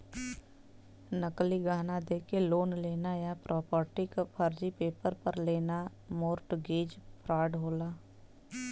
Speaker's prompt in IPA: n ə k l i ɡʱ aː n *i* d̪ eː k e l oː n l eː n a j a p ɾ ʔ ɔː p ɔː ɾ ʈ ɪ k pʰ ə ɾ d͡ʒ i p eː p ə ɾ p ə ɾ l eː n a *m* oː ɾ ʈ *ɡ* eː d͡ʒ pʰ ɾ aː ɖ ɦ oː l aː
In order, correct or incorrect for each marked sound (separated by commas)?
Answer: incorrect, correct, correct